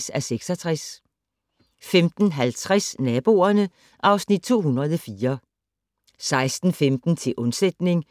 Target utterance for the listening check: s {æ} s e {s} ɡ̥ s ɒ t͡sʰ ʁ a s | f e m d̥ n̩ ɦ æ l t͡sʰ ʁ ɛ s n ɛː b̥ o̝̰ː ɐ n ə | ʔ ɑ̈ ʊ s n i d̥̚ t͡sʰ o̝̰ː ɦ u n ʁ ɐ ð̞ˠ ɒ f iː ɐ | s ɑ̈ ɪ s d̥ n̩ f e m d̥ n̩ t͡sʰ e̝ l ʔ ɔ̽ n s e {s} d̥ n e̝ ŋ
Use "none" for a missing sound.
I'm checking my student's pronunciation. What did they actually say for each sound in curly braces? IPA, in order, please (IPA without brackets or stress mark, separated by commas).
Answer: æ, none, none